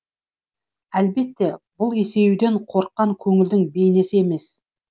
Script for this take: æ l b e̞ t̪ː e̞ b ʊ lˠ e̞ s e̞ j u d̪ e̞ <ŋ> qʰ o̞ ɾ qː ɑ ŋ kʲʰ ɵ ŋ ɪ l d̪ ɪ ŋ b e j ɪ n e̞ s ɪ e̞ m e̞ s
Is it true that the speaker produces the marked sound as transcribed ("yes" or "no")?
no